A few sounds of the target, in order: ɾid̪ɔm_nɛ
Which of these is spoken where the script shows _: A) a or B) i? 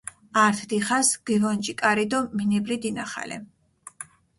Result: B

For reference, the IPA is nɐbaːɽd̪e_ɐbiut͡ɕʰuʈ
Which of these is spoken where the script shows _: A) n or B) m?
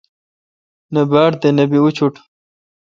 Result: A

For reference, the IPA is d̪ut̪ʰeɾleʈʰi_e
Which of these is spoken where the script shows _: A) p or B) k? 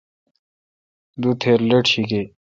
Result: B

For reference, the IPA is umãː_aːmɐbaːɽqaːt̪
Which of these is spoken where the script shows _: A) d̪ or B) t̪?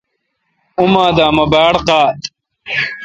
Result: A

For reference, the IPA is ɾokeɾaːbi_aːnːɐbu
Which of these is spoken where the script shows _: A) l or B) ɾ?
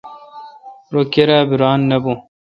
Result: B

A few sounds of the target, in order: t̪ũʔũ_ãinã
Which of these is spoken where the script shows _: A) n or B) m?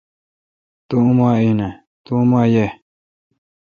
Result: B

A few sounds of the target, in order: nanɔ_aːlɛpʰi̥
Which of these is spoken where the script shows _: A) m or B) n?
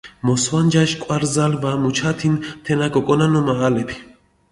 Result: A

